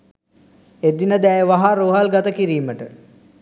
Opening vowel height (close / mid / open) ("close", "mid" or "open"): mid